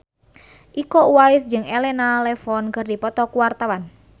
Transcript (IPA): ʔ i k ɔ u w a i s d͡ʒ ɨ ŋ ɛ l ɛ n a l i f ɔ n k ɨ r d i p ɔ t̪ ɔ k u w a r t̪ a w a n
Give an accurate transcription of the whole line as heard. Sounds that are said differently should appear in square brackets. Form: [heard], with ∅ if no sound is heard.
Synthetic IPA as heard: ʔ i k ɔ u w a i s d͡ʒ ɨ ŋ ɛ l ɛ n a l [ɛ] f ɔ n k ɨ r d i p ɔ t̪ ɔ k u w a r t̪ a w a n